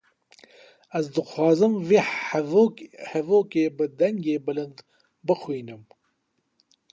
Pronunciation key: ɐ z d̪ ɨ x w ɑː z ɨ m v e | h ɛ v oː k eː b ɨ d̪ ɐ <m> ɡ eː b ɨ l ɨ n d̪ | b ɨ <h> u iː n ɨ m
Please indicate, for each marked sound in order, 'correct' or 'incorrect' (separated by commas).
incorrect, incorrect